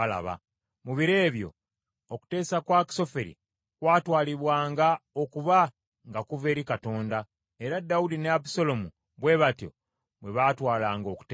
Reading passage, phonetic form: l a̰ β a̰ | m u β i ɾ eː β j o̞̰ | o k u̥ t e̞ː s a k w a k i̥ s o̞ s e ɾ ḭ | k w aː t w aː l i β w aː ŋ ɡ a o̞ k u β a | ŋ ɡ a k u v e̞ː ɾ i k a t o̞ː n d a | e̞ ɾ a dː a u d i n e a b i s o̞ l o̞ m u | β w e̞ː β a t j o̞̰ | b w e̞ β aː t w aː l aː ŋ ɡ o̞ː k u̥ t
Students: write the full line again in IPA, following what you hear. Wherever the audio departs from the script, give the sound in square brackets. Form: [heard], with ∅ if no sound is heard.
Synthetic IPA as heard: l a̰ β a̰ | m u β i ɾ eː β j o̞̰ | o k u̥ t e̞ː s a k w a k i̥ s o̞ [f] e ɾ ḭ | k w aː t w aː l i β w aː ŋ ɡ a o̞ k u β a | ŋ ɡ a k u v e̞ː ɾ i k a t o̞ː n d a | e̞ ɾ a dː a u d i n e a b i s o̞ l o̞ m u | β w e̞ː β a t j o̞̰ | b w e̞ β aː t w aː l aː ŋ ɡ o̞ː k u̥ t